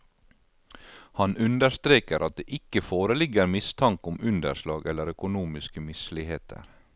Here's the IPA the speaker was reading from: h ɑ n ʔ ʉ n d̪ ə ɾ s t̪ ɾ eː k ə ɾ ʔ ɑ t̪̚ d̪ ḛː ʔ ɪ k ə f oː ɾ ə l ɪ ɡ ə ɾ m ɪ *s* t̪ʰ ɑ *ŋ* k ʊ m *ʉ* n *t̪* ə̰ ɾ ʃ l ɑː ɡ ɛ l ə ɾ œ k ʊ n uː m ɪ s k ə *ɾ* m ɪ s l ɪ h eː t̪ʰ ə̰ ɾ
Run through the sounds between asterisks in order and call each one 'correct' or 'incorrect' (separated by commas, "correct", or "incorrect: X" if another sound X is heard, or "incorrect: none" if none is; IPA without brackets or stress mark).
correct, correct, correct, incorrect: d̪, incorrect: none